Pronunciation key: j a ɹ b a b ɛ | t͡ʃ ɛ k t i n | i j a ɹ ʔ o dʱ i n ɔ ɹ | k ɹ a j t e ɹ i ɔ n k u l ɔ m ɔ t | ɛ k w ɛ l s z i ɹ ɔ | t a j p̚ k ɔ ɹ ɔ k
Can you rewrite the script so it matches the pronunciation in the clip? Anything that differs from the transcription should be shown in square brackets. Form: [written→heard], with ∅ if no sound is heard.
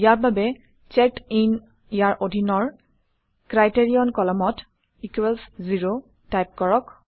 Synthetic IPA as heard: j a ɹ b a b ɛ | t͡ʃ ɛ k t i n | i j a ɹ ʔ o dʱ i n ɔ ɹ | k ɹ a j t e ɹ i ɔ n k [u→ɔ] l ɔ m ɔ t | [ɛ→i] k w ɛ l s z i ɹ [ɔ→o] | t a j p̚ k ɔ ɹ ɔ k